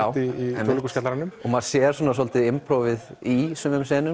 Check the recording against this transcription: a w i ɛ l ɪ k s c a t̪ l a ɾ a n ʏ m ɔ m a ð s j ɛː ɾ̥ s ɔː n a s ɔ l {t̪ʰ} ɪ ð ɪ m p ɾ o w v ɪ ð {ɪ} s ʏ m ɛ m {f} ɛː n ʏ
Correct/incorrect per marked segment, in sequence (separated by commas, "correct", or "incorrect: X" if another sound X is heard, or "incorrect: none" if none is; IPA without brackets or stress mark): incorrect: t̪, incorrect: i, incorrect: s